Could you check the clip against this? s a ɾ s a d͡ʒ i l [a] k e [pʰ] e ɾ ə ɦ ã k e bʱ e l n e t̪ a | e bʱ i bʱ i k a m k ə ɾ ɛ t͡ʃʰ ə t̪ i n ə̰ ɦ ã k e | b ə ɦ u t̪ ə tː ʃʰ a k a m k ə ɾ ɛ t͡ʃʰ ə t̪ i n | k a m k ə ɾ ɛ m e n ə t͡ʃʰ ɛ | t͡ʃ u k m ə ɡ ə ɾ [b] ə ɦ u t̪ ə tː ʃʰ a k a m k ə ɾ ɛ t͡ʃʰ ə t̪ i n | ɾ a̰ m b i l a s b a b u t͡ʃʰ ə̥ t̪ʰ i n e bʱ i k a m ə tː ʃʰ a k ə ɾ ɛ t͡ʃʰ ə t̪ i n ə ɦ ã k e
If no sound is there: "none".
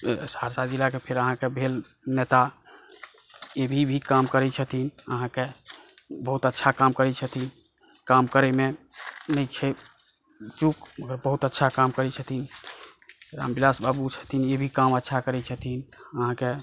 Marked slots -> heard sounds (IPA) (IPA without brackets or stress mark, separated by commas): a, pʰ, b